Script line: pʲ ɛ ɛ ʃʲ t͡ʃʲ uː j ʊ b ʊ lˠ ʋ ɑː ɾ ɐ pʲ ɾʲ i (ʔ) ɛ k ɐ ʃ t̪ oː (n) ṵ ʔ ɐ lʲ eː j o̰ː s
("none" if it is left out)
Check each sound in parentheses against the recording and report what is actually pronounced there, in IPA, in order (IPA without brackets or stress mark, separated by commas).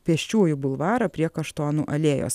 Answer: none, n